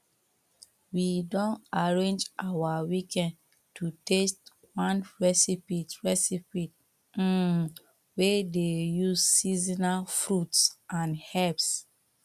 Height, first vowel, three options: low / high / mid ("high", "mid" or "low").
high